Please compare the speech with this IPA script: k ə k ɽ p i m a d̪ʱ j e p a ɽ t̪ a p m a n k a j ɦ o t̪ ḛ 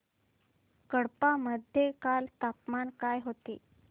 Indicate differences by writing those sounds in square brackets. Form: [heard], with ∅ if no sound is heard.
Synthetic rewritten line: k ə [∅] ɽ p [a] m [ə] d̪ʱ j e [k] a [l] t̪ a p m a n k a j ɦ o t̪ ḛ